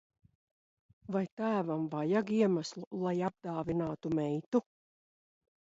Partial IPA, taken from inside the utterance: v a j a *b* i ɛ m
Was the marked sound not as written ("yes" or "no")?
yes